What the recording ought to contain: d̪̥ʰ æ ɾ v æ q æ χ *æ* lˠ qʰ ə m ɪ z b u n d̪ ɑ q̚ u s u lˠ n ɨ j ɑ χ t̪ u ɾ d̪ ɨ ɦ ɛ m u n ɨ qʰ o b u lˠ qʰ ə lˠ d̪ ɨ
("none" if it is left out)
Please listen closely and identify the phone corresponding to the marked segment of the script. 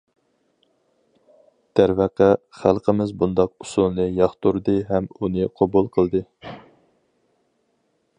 æ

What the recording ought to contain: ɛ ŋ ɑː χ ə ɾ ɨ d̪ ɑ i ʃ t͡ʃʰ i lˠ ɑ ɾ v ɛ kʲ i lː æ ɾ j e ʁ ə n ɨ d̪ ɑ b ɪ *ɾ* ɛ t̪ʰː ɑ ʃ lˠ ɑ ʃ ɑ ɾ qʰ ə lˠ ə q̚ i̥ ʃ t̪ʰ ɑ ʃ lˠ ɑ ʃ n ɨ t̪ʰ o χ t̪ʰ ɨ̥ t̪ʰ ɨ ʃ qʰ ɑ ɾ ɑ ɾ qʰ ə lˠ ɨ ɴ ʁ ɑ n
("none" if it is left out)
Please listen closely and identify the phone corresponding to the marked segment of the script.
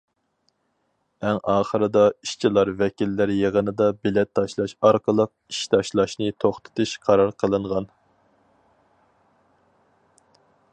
l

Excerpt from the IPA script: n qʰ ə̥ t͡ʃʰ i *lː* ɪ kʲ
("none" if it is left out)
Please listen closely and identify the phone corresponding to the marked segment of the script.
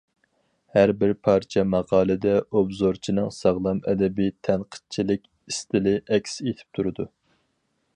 l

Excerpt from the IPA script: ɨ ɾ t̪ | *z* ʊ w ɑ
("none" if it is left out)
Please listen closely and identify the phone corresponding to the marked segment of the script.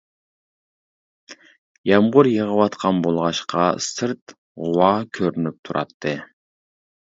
ʁ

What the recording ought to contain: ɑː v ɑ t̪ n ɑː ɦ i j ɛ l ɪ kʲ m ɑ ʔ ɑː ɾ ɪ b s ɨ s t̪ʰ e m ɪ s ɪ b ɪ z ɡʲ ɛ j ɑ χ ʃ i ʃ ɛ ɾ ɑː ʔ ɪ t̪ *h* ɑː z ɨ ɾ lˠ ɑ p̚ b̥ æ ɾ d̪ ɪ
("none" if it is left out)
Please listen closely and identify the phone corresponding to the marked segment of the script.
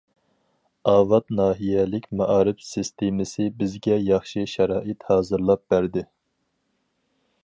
h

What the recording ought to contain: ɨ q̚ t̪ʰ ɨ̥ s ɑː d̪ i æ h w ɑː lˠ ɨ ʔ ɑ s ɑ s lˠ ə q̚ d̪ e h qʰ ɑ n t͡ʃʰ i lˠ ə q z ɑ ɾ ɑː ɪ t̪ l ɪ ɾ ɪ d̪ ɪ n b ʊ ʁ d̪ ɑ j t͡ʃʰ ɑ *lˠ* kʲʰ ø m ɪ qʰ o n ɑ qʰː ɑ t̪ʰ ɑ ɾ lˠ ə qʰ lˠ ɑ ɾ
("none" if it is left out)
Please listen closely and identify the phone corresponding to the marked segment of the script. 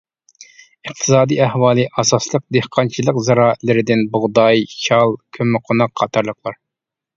lˠ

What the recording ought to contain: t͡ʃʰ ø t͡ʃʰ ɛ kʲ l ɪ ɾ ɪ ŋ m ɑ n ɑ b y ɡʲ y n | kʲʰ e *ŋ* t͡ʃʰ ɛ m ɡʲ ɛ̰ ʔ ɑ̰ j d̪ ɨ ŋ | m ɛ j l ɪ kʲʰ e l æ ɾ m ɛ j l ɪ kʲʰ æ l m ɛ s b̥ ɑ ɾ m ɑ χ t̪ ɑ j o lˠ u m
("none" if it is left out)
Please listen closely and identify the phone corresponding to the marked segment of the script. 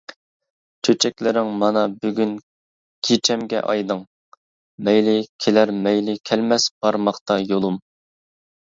none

